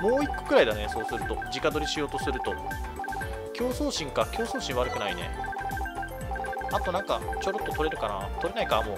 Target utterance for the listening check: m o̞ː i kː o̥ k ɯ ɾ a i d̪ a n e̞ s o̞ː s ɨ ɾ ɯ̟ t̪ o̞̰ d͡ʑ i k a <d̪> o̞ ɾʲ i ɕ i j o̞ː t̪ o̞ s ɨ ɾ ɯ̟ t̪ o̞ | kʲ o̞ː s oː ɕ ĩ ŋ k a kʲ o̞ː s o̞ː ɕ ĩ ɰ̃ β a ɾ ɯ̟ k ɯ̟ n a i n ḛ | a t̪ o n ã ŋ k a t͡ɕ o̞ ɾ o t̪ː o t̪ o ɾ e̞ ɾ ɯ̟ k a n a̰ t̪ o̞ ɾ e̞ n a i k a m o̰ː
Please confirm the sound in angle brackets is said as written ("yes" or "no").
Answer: yes